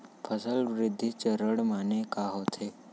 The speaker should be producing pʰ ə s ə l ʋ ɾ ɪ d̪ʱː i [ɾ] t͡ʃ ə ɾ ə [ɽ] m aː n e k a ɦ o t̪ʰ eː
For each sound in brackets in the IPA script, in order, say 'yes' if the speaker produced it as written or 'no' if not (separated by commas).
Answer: no, yes